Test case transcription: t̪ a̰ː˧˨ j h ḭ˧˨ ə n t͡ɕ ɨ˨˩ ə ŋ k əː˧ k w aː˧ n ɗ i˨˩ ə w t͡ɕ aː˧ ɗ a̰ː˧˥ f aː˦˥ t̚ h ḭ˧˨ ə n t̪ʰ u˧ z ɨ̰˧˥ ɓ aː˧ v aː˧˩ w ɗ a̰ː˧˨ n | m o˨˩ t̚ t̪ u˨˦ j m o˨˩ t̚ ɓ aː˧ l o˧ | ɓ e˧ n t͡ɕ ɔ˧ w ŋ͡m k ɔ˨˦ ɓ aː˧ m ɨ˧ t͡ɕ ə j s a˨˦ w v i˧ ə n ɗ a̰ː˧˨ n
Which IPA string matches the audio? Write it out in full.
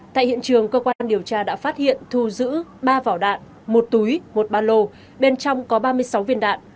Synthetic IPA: t̪ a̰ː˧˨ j h ḭ˧˨ ə n t͡ɕ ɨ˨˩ ə ŋ k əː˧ k w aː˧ n ɗ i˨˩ ə w t͡ɕ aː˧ ɗ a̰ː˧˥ f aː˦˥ t̚ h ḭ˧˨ ə n t̪ʰ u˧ z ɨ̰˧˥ ɓ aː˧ v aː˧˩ w ɗ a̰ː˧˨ n | m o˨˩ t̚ t̪ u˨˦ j m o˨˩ t̚ ɓ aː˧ l o˧ | ɓ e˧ n t͡ɕ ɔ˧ w ŋ͡m k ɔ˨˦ ɓ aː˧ m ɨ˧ ə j s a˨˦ w v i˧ ə n ɗ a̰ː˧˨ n